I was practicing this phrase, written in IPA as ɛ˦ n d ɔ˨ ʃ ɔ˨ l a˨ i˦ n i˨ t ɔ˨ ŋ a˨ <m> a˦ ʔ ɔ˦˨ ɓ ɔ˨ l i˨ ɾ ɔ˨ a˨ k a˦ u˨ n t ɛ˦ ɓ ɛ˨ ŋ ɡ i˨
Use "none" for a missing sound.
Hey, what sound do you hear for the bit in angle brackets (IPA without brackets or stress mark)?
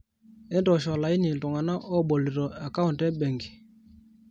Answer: n